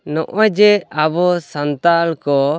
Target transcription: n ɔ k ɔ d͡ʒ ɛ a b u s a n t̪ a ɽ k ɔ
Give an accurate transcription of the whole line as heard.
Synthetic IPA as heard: n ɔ ʔ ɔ d͡ʒ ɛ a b ɔ s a n t̪ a l k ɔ

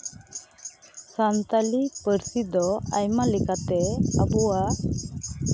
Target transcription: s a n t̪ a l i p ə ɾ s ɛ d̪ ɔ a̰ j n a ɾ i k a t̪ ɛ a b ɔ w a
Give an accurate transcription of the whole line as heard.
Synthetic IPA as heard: s a n t̪ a l i p ə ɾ s i d̪ ɔ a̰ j m a l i k a t̪ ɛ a b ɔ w a

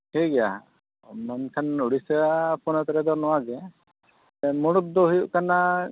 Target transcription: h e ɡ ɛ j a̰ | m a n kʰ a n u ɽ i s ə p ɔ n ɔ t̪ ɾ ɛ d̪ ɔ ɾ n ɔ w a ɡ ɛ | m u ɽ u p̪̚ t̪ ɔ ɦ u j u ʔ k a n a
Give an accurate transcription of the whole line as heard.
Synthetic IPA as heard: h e ɡ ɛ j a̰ | m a n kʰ a n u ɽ i s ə p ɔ n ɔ t̪ ɾ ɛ d̪ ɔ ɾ n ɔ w a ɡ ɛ | m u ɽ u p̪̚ d̪ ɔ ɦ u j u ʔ k a n a

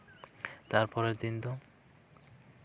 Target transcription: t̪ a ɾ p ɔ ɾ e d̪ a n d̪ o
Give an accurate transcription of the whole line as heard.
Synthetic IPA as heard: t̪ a ɾ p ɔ ɾ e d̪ i n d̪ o

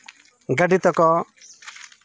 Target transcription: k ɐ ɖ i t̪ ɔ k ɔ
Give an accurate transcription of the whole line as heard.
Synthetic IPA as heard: ɡ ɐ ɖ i t̪ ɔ k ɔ

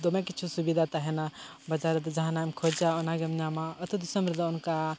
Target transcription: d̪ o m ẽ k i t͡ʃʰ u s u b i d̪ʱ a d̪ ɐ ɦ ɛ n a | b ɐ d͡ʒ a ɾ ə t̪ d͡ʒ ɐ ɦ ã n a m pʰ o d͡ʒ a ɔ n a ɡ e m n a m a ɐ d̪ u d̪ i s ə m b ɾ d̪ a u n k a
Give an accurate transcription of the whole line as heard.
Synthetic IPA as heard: d̪ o m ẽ k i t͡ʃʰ u s u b i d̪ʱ a t̪ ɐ ɦ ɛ n a | b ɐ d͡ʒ a ɾ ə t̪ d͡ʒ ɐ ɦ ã n a m kʰ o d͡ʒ a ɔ n a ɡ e m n a m a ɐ t̪ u d̪ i s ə m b ɾ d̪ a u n k a

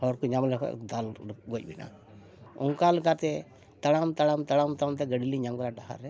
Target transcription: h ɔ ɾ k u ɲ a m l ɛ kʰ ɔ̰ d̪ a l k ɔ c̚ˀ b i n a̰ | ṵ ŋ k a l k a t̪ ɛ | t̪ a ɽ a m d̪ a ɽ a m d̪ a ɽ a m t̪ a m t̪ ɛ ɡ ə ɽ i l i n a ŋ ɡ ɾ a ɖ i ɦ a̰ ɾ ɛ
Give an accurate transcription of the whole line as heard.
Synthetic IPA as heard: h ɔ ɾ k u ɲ a m l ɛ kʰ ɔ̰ d̪ a l ɡ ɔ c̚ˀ b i n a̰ | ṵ ŋ k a l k a t̪ ɛ | t̪ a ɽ a m t̪ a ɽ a m t̪ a ɽ a m t̪ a m t̪ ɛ ɡ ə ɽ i l i ɲ a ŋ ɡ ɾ a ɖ a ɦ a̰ ɾ ɛ

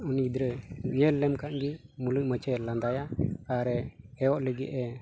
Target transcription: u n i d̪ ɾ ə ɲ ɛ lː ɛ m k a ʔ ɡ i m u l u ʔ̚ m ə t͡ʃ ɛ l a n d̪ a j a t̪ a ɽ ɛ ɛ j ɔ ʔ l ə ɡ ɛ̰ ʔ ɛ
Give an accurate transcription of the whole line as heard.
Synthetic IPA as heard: u n i d̪ ɾ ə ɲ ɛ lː ɛ m k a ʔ ɡ i m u l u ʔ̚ m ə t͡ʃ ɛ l a n d̪ a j a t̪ a ɾ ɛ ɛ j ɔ ʔ l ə ɡ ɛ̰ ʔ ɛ

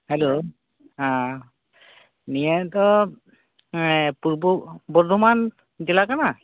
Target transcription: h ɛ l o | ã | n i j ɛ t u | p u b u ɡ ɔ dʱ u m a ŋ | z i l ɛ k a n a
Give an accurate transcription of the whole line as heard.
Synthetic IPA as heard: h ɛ l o | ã | n i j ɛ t ɔ | p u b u b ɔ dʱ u m a n | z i l a k a n a

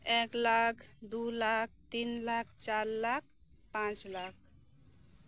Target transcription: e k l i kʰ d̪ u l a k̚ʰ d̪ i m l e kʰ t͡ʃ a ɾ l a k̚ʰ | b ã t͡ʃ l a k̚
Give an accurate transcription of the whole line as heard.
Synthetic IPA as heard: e k l a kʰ d̪ u l a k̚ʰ t̪ i n l a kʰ t͡ʃ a ɾ l a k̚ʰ | p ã t͡ʃ l a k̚

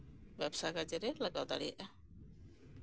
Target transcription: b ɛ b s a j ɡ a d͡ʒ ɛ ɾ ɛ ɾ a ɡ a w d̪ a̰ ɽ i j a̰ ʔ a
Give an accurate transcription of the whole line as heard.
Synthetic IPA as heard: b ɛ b s a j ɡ a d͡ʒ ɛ ɾ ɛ l a ɡ a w d̪ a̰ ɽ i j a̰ ʔ a

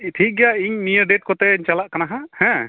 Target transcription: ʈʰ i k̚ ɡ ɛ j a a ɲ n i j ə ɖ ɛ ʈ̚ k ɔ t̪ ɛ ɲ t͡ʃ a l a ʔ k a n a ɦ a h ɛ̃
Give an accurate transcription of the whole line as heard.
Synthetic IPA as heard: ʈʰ i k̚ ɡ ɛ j a i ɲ n i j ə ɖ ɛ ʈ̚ k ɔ t̪ ɛ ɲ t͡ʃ a l a ʔ k a n a ɦ a h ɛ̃

